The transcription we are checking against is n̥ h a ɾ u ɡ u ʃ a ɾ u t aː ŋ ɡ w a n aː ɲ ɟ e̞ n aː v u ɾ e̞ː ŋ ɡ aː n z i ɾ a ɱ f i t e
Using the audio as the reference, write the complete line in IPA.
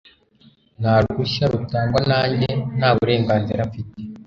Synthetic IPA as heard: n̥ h a ɾ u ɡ u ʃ a ɾ u t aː ŋ ɡ w a n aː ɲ ɟ e̞ n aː β u ɾ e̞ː ŋ ɡ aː n z i ɾ a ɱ f i t e